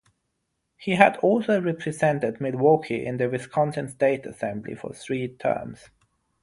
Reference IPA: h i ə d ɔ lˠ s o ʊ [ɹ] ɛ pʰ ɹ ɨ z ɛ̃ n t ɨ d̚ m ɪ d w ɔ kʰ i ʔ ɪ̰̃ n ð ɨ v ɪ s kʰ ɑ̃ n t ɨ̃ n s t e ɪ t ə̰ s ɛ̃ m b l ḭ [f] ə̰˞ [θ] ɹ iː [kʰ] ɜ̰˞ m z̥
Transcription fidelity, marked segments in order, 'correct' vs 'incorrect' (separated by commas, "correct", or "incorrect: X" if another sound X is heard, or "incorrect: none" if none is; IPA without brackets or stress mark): correct, correct, correct, incorrect: tʰ